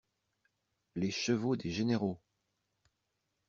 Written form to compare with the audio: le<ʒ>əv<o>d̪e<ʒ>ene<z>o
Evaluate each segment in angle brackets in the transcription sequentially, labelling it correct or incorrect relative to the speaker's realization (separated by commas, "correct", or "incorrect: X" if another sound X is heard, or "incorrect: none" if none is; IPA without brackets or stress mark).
incorrect: ʃ, correct, correct, incorrect: ʁ